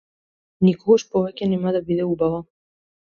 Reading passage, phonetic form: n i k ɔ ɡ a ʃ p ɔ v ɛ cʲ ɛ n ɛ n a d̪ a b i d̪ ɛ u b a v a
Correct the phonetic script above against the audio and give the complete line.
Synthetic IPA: n i k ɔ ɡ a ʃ p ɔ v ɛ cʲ ɛ n ɛ m a d̪ a b i d̪ ɛ u b a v a